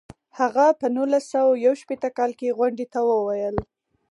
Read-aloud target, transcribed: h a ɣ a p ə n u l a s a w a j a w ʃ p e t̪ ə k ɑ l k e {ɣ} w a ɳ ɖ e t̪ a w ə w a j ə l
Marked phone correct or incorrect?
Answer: correct